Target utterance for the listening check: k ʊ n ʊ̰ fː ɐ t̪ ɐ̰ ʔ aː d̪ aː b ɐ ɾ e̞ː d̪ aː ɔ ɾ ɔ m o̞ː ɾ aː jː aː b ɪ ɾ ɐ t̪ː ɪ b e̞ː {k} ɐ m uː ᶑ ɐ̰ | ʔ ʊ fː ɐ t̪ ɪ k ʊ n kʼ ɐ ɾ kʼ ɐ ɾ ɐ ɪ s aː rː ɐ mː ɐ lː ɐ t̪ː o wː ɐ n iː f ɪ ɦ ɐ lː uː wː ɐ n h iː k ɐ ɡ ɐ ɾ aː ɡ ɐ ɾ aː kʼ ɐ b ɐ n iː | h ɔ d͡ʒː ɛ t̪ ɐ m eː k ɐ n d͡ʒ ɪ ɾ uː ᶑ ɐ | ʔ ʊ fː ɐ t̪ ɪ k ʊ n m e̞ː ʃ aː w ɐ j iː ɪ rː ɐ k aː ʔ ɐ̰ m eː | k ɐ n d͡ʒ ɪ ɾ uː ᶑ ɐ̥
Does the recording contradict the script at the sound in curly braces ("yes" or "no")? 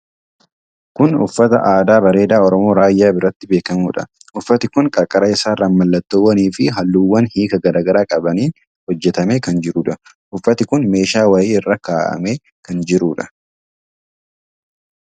no